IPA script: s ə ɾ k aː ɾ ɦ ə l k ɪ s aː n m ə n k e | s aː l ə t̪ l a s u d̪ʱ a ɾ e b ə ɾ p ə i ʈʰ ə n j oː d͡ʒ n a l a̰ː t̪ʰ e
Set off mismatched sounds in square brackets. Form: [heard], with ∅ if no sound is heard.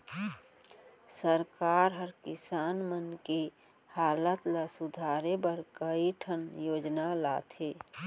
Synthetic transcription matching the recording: s ə ɾ k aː ɾ ɦ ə [ɾ] k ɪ s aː n m ə n k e | [h] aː l ə t̪ l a s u d̪ʱ a ɾ e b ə ɾ [k] ə i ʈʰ ə n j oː d͡ʒ n a l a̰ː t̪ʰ e